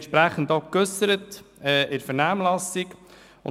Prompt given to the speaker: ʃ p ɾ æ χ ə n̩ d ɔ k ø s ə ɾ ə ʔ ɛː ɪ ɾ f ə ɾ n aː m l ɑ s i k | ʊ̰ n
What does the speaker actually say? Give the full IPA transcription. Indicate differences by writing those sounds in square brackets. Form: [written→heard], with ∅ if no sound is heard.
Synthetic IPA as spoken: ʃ p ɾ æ χ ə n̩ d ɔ k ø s ə ɾ ə [ʔ→t] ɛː ɪ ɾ f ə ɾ n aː m l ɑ s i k | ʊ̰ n